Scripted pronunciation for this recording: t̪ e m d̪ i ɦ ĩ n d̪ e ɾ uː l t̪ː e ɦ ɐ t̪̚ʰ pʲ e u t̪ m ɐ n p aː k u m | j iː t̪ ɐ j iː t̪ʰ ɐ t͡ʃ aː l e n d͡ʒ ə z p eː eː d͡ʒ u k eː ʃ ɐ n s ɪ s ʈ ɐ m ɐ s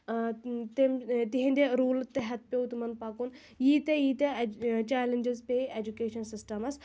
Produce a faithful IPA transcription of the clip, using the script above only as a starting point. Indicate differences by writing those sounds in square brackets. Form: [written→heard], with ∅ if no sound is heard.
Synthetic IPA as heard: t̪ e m [d̪→t̪] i ɦ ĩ n d̪ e ɾ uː l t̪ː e ɦ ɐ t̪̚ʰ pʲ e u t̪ m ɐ n p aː k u [m→n] | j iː t̪ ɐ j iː [t̪ʰ→t̪] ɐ t͡ʃ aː l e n d͡ʒ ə z p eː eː d͡ʒ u k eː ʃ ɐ n s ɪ s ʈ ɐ m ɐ s